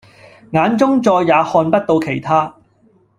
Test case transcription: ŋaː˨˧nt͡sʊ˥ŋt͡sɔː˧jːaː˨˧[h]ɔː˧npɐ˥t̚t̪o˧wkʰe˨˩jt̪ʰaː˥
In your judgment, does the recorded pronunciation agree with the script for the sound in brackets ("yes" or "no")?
yes